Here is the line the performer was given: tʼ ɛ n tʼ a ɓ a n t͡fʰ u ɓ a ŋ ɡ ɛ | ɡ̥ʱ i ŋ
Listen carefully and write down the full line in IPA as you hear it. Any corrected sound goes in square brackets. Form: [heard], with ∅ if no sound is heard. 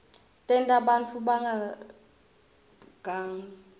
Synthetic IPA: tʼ ɛ n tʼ a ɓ a n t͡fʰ u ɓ a ŋ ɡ [a] | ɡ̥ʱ [a] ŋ